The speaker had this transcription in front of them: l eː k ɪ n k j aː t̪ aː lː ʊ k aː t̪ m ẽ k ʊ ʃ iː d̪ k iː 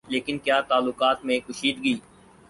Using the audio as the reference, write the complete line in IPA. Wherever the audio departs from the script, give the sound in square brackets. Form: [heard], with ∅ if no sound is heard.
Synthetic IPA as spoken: l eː k ɪ n k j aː t̪ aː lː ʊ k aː t̪ m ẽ k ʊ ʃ iː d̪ [ɡ] iː